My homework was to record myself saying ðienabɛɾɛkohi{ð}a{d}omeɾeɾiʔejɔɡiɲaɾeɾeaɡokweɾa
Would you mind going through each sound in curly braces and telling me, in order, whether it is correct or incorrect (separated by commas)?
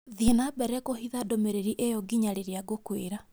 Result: correct, correct